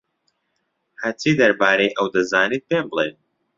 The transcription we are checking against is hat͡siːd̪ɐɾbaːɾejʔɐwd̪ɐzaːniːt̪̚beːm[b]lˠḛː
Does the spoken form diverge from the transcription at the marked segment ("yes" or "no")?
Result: no